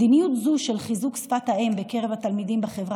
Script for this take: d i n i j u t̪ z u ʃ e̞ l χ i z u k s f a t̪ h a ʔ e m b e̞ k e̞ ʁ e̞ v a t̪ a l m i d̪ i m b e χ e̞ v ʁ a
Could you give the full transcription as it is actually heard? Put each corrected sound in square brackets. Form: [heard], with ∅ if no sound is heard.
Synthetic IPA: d i n i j u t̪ z u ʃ e̞ l χ i z u k s f a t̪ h a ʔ e m b e̞ k e̞ ʁ e̞ v a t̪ a l m i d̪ i m b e χ e̞ v ʁ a